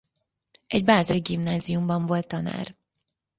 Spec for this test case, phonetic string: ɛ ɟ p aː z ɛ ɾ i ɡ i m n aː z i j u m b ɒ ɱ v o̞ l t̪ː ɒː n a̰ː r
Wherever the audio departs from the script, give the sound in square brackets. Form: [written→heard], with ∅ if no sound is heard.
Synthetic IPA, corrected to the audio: ɛ ɟ [p→b] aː z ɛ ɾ i ɡ i m n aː z i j u m b ɒ ɱ v o̞ l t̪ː [ɒː→ɒ] n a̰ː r